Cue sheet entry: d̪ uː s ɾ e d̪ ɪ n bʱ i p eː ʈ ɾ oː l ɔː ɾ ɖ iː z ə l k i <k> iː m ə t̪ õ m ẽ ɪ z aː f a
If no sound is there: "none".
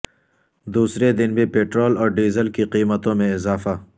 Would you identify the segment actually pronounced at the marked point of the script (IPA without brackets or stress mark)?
q